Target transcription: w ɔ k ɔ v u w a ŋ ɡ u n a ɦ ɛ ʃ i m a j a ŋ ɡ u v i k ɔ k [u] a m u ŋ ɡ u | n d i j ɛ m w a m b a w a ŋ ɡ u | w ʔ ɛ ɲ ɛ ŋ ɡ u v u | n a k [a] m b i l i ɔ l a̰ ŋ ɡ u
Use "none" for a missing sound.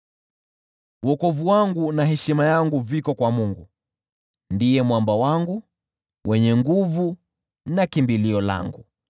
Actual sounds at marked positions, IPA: w, i

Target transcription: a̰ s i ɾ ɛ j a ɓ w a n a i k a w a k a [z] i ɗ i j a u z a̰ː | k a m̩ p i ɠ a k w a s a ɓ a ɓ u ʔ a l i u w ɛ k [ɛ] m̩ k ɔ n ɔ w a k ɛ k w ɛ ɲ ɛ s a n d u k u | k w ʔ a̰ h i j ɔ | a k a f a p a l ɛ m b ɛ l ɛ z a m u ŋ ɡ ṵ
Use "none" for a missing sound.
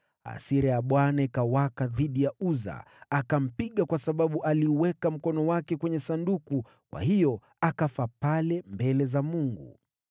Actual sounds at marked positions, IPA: ð, a

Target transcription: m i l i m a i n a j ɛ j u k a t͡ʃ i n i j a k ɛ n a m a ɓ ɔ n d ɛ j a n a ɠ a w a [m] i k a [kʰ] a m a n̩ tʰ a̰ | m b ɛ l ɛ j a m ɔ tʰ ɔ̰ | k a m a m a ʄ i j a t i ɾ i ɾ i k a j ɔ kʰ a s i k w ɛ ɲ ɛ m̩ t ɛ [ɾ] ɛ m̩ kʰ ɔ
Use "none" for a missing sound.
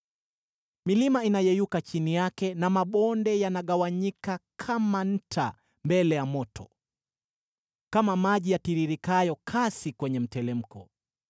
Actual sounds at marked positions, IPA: ɲ, kʰ, l

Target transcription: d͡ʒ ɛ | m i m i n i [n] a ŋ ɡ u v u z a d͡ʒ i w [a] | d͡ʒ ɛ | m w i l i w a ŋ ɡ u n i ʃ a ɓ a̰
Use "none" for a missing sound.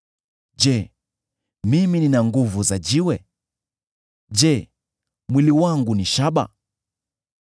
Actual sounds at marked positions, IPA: n, ɛ

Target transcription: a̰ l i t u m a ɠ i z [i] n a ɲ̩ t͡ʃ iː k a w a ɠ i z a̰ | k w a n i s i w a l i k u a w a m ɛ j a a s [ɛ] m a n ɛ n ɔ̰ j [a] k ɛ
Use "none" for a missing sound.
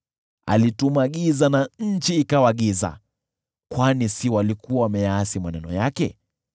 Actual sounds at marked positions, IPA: a, i, a

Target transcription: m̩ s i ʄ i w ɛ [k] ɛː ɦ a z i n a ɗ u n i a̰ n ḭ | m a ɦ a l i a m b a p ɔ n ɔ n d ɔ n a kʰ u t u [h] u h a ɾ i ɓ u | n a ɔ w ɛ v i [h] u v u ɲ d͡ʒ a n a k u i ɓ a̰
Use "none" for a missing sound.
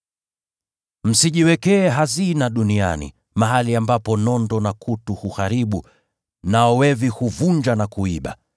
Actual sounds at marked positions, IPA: k, h, h

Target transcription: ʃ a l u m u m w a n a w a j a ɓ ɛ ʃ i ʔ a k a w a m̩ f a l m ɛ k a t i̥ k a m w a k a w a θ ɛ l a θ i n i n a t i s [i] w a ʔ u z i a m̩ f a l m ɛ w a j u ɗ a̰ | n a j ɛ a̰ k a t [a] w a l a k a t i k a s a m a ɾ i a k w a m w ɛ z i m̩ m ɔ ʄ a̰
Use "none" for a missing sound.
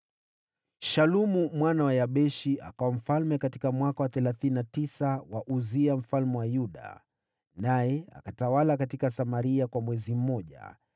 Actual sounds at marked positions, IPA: a, a

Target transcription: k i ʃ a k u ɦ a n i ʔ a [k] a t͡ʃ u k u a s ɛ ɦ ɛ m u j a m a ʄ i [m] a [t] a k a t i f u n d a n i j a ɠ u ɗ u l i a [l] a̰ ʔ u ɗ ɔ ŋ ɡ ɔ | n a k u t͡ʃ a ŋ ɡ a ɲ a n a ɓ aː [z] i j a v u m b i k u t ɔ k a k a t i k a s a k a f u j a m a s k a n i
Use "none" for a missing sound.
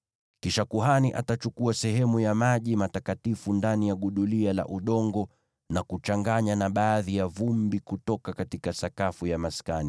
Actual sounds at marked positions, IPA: t, m, t, l, ð

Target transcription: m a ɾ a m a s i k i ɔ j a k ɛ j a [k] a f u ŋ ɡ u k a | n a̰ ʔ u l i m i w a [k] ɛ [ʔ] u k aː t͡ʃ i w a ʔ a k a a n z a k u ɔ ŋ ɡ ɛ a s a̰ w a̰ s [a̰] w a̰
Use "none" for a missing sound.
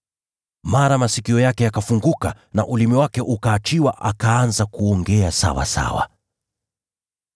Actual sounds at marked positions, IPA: k, k, ʔ, a̰

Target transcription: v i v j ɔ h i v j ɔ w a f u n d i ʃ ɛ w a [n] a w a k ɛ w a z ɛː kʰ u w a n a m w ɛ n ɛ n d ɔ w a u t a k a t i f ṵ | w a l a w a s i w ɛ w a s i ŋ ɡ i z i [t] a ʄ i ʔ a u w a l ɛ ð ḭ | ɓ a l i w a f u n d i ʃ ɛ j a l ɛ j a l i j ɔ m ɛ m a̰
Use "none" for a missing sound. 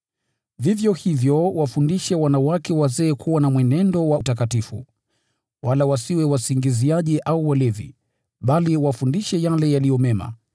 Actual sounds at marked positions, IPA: n, none

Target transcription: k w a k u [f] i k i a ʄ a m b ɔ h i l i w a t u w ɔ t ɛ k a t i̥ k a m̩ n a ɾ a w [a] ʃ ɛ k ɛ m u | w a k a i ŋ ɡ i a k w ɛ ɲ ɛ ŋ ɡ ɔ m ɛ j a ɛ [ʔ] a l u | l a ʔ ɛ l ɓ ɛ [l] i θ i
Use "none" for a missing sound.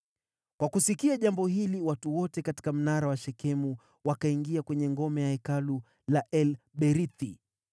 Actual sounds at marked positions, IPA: s, a, k, ɾ

